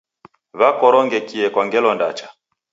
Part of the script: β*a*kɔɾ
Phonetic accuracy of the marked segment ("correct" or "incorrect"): correct